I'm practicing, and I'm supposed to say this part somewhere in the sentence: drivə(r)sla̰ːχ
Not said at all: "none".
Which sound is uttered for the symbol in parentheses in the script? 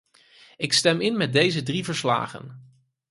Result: ɹ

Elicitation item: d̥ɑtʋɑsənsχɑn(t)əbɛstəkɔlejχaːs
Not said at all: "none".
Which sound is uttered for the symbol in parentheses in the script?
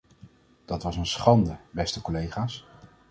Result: d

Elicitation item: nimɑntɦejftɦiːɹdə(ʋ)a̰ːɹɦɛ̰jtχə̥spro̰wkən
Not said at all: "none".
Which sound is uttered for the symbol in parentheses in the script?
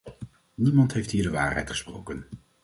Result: ʋ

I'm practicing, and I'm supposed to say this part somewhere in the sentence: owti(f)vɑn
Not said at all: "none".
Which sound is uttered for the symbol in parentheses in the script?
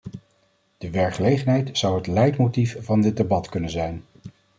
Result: f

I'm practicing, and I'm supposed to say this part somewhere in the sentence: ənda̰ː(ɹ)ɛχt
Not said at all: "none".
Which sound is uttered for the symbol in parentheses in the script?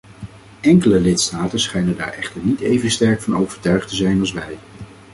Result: ɹ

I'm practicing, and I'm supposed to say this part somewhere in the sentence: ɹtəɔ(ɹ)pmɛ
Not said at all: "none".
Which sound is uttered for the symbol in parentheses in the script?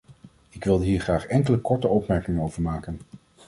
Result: none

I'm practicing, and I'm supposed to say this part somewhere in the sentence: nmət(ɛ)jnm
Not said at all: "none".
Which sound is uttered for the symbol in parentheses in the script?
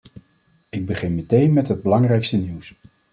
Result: e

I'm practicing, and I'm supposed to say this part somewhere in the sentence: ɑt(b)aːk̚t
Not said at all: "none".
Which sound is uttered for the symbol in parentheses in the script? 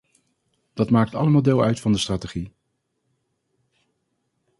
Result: m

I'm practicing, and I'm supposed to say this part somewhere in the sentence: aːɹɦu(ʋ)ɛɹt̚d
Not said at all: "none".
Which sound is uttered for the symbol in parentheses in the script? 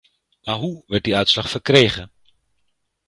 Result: ʋ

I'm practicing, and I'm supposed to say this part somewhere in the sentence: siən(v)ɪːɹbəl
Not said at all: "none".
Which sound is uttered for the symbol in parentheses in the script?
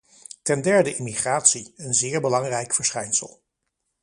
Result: z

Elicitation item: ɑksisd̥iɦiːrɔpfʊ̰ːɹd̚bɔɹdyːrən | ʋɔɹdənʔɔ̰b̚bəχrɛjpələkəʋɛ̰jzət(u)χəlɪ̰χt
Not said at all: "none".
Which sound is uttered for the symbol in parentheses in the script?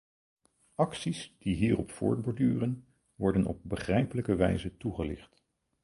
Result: u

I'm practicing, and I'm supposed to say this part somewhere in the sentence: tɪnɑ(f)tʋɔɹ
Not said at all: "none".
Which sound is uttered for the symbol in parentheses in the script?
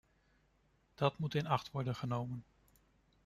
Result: χ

